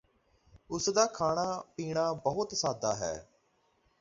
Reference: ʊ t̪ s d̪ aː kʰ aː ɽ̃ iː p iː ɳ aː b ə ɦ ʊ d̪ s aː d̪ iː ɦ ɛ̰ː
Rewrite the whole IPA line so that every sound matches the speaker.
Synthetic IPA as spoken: ʊ s d̪ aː kʰ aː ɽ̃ aː p iː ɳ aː b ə ɦ ʊ t̪ s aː d̪ aː ɦ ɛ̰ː

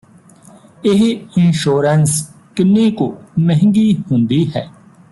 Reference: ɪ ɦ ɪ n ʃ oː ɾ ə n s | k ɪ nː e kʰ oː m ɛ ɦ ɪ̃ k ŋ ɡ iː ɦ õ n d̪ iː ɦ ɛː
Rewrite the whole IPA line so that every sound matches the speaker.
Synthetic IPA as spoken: ɪ ɦ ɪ n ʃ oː ɾ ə n s | k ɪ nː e k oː m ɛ ɦ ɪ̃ ŋ ɡ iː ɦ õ n d̪ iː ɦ ɛː

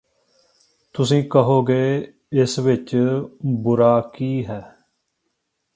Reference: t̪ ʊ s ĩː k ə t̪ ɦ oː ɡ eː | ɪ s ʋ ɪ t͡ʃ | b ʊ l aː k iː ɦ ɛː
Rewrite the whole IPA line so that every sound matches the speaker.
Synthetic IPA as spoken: t̪ ʊ s ĩː k ə ɦ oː ɡ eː | ɪ s ʋ ɪ t͡ʃ | b ʊ ɾ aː k iː ɦ ɛː

